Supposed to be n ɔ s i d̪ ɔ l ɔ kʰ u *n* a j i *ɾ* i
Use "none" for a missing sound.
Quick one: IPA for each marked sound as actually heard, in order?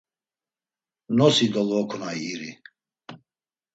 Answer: n, ɾ

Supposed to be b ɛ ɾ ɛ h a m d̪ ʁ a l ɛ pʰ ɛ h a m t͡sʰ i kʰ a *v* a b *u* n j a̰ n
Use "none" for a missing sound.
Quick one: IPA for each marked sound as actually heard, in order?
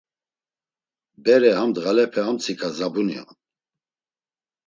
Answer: z, u

